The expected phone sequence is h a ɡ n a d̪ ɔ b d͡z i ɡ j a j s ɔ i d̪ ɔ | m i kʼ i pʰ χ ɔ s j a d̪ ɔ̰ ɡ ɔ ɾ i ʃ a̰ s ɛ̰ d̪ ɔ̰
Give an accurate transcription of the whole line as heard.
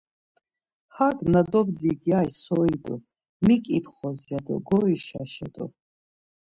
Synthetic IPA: h a ɡ n a d̪ ɔ b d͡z i ɡ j a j s ɔ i d̪ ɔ | m i kʼ i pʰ χ ɔ z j a d̪ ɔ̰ ɡ ɔ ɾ i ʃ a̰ ʃ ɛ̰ d̪ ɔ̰